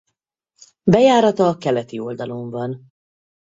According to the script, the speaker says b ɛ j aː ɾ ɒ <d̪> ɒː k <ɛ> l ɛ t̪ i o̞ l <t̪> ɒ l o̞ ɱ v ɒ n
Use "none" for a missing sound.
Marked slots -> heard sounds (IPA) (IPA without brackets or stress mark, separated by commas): t̪, ɛ, d̪